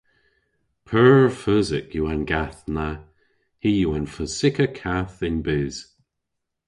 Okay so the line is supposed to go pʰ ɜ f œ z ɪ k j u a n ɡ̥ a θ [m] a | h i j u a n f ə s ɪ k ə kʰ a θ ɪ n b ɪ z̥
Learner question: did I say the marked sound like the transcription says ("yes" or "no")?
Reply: no